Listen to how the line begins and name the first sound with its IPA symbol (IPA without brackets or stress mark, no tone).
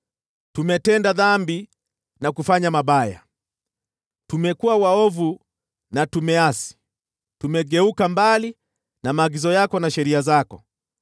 t